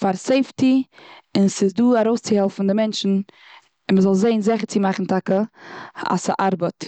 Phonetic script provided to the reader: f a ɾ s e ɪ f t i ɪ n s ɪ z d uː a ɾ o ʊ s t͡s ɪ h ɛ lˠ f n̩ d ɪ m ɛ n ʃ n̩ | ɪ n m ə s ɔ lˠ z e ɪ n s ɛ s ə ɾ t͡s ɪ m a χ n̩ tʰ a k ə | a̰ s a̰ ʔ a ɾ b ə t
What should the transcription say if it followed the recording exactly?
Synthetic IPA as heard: f a ɾ s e ɪ f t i ɪ n s ɪ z d uː a ɾ o ʊ s t͡s ɪ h ɛ lˠ f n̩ d ɪ m ɛ n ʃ n̩ | ɪ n m ə z ɔ lˠ z e ɪ n z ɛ χ ə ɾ t͡s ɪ m a χ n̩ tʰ a k ə | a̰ s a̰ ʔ a ɾ b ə t